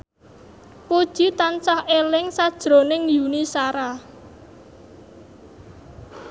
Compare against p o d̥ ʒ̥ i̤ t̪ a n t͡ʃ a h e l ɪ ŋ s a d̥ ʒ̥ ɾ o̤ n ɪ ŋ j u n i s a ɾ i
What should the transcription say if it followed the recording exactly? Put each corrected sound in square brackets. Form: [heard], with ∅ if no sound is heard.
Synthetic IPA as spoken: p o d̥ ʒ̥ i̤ t̪ a n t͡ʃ a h e l ɪ ŋ s a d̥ ʒ̥ ɾ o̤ n ɪ ŋ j u n i s a ɾ [a]

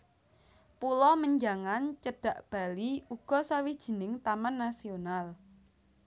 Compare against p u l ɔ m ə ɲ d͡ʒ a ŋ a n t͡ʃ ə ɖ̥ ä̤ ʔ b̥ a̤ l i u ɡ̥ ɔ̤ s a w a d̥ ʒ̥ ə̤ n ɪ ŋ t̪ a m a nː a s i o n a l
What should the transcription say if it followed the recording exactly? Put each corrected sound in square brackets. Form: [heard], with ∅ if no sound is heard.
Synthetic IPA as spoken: p u l ɔ m ə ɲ d͡ʒ a ŋ a n t͡ʃ ə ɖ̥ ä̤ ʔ b̥ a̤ l i u ɡ̥ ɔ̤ s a w [i] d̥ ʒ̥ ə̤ n ɪ ŋ t̪ a m a nː a s i o n a l

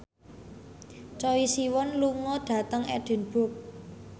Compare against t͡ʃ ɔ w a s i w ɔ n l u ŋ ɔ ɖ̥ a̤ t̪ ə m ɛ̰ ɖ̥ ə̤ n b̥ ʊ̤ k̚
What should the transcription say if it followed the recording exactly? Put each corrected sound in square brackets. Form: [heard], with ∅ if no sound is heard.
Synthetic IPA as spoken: t͡ʃ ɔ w [i] s i w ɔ n l u ŋ ɔ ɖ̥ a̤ t̪ ə [ŋ] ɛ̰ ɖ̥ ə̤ n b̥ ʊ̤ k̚

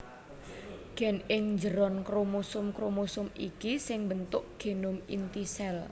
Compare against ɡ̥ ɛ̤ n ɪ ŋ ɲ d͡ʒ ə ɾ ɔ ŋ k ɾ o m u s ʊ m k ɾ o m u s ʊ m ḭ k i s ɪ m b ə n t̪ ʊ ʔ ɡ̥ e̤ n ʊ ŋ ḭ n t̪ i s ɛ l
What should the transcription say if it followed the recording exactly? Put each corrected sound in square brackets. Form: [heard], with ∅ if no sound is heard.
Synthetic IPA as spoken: ɡ̥ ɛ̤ n ɪ ŋ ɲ d͡ʒ ə ɾ ɔ [n] k ɾ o m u s ʊ m k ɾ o m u s ʊ m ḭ k i s ɪ [ŋ] b ə n t̪ ʊ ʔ ɡ̥ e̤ n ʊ [m] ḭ n t̪ i s ɛ l

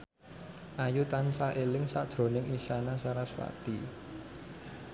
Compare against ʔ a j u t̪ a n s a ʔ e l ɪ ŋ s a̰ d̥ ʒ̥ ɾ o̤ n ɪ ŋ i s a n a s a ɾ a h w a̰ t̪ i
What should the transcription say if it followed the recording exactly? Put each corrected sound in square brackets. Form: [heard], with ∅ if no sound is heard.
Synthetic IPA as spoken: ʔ a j u t̪ a n s a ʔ e l ɪ ŋ s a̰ d̥ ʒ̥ ɾ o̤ n ɪ ŋ i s a n a s a ɾ a [s] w a̰ t̪ i

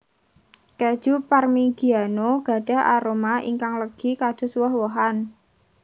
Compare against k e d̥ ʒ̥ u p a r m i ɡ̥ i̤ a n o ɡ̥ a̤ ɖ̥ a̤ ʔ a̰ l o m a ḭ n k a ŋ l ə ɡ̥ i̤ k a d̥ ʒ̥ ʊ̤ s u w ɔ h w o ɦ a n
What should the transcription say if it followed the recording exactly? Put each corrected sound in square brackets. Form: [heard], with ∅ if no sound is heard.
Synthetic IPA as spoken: k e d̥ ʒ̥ u p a r m i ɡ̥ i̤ a n o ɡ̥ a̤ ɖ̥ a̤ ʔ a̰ [ɾ] o m a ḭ [ŋ] k a ŋ l ə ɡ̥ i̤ k a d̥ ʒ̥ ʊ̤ s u w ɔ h w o ɦ a n

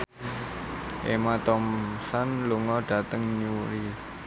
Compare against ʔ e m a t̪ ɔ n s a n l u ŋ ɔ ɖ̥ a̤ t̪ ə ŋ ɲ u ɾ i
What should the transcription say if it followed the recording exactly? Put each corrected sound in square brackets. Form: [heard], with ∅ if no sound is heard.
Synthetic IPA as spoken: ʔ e m a t̪ ɔ [m] s a n l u ŋ ɔ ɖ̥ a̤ t̪ ə ŋ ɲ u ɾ i

